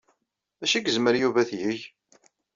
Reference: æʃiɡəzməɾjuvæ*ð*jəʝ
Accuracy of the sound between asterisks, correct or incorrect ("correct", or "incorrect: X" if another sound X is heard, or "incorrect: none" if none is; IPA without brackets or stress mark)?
incorrect: θ